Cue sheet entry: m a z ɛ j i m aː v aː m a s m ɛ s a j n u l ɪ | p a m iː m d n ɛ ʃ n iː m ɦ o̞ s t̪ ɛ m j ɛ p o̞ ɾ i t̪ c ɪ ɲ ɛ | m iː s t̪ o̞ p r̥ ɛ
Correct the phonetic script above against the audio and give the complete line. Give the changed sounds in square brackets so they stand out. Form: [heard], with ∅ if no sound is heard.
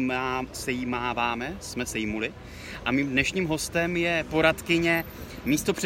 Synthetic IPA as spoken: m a [s] ɛ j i m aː v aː m [ɛ] s m ɛ s [ɛ] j [m] u l ɪ | [ʔ] a m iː m d n ɛ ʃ [ɲ] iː m ɦ o̞ s t̪ ɛ m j ɛ p o̞ ɾ [a] t̪ [k] ɪ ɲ ɛ | m iː s t̪ o̞ p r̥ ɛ